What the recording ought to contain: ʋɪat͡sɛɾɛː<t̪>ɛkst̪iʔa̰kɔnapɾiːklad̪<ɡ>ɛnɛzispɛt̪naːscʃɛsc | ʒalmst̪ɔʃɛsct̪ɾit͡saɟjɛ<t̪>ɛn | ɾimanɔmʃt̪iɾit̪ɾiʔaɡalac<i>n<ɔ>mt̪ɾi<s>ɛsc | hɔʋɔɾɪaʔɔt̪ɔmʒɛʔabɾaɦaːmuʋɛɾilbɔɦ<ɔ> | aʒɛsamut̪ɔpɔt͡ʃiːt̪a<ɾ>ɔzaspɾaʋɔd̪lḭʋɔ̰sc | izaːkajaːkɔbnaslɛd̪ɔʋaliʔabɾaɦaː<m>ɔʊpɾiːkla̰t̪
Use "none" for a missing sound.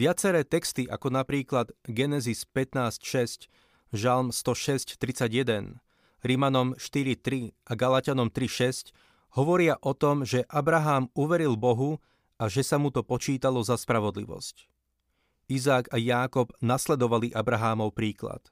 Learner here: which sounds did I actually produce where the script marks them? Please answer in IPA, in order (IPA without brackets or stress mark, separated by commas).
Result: t̪, ɡ, d̪, a, ɔ, ʃ, u, l, m